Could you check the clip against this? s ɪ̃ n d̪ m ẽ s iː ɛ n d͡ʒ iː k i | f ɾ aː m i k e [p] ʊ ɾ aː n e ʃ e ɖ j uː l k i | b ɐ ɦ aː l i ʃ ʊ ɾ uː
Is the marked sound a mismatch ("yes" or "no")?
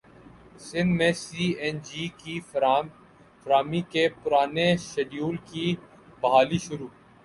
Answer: no